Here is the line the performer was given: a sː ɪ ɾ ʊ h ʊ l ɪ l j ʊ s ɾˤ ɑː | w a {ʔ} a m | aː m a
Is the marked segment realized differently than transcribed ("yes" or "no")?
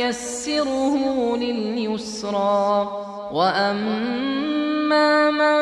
no